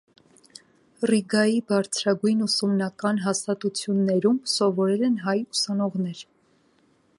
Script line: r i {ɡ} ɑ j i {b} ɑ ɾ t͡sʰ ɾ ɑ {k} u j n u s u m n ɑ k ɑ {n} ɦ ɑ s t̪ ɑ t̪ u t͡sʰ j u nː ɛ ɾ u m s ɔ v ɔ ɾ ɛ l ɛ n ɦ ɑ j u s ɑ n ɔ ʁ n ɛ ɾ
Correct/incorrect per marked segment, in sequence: correct, correct, incorrect: ɡ, correct

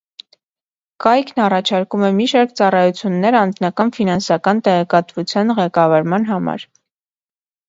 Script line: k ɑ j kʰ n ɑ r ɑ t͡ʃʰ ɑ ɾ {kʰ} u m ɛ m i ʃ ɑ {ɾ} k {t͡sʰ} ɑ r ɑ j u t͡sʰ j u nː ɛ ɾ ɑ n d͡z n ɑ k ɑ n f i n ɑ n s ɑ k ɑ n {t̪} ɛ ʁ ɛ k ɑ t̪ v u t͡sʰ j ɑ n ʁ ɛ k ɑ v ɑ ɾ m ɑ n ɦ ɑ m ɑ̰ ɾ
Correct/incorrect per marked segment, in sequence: incorrect: k, correct, incorrect: t͡s, correct

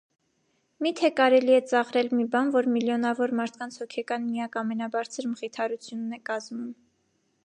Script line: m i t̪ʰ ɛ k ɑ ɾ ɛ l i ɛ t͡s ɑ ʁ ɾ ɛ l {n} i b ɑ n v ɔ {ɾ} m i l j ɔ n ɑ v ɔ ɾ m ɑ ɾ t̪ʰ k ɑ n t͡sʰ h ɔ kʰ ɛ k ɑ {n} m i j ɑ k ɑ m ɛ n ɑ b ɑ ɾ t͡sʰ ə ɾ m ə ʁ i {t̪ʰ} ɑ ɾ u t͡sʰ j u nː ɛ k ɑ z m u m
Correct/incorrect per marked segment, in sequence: incorrect: m, correct, correct, correct

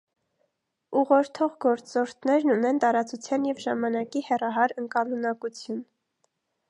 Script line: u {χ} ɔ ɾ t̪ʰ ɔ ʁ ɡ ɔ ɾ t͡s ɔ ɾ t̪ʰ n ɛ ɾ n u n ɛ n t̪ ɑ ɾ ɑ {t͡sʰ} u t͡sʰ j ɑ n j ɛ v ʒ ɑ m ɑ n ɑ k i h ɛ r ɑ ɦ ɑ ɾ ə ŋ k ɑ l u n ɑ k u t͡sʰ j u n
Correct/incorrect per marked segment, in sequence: incorrect: ʁ, incorrect: t͡s

